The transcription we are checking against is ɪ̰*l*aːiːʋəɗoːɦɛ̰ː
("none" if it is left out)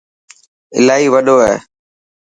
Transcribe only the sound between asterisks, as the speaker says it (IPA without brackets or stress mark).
l